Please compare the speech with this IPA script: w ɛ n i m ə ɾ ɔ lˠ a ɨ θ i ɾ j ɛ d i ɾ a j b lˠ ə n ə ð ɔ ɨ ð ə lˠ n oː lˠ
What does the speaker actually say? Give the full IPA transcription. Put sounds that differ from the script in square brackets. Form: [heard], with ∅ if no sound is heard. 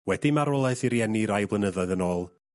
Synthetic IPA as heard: w ɛ [d] i m [a] ɾ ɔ lˠ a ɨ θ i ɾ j ɛ [n] i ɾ a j b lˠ ə n ə ð ɔ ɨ ð ə [∅] n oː lˠ